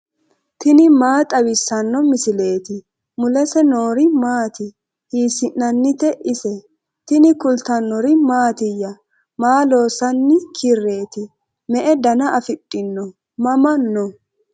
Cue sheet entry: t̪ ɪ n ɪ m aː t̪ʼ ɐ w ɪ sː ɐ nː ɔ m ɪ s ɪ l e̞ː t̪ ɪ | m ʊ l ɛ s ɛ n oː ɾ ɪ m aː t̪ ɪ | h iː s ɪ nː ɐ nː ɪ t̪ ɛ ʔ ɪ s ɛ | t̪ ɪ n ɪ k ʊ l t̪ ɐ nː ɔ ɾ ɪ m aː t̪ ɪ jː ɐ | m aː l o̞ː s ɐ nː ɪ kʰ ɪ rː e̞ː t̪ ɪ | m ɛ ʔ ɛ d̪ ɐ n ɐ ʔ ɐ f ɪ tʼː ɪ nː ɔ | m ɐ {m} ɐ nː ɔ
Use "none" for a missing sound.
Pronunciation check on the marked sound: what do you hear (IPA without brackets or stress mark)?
m